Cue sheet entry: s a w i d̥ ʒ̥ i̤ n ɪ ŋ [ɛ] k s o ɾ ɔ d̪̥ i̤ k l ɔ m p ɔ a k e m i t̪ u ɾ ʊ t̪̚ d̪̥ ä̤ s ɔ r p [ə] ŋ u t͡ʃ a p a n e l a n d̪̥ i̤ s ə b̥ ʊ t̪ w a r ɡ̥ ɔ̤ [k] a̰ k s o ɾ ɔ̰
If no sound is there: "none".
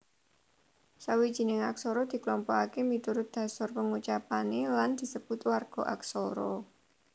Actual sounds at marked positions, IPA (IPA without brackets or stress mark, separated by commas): a, ə, ʔ